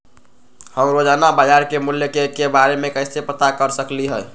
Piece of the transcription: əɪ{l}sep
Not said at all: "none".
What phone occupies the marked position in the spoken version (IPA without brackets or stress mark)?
none